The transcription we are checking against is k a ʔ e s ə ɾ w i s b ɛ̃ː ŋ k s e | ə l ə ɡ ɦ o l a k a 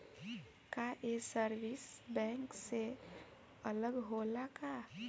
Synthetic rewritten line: k a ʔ e s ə ɾ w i s b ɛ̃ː ŋ k s e | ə l ə ɡ ɦ o l a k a